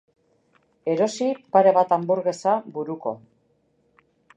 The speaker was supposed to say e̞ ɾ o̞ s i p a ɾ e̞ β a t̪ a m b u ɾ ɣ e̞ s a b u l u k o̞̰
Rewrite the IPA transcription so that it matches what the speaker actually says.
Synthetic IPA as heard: e̞ ɾ o̞ s i p a ɾ e̞ β a t̪ a m b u ɾ ɣ e̞ s a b u ɾ u k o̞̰